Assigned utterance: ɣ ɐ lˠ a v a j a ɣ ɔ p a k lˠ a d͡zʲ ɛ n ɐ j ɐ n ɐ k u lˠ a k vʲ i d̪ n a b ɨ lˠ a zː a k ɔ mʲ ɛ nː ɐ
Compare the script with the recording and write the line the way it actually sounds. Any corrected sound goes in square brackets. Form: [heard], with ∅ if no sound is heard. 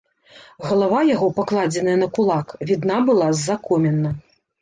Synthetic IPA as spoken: ɣ ɐ lˠ a v a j a ɣ ɔ p a k lˠ a d͡zʲ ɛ n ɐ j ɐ n ɐ k u lˠ a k vʲ i d̪ n a b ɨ lˠ a zː a k ɔ mʲ ɛ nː ɐ